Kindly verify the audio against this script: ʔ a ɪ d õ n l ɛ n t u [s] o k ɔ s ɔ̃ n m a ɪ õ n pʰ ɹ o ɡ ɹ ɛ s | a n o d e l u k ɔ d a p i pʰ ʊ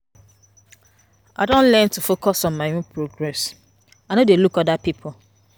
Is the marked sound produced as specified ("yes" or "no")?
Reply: no